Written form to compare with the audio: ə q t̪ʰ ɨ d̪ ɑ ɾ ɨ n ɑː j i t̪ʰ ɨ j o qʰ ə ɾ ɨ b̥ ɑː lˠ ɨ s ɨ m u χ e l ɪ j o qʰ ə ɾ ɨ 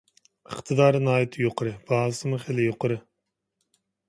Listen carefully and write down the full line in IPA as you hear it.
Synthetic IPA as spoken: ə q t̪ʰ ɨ d̪ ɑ ɾ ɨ n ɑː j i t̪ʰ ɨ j o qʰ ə ɾ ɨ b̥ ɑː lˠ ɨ s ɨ m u χ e l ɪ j o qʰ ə ɾ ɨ